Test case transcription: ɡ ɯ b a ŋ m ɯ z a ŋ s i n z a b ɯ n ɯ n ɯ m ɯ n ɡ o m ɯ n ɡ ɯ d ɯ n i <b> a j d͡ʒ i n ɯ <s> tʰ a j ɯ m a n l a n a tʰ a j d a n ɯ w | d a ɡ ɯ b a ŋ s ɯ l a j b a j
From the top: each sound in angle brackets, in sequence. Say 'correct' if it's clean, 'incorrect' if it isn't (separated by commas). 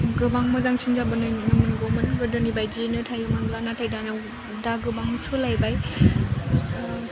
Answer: correct, incorrect